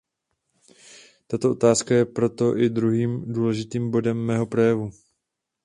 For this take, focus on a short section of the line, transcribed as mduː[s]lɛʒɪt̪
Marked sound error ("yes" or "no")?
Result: yes